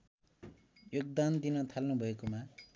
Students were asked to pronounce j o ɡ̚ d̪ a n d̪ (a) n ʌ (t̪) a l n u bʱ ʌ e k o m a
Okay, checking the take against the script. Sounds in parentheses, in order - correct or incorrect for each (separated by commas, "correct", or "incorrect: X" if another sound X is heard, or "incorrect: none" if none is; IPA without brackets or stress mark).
incorrect: i, incorrect: t̪ʰ